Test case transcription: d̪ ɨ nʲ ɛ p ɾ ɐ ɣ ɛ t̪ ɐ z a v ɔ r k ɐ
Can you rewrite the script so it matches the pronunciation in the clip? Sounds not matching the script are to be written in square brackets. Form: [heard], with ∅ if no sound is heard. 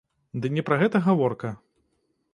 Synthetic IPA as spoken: d̪ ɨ nʲ ɛ p ɾ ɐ ɣ ɛ t̪ ɐ [ɣ] a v ɔ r k ɐ